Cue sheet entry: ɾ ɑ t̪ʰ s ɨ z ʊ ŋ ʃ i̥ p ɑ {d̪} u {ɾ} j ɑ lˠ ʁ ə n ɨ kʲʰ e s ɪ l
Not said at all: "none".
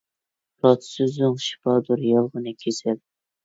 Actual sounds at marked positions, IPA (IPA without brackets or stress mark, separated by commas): d̪, ɾ